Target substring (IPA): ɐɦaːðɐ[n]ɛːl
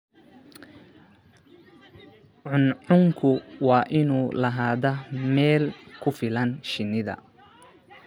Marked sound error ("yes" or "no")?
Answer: yes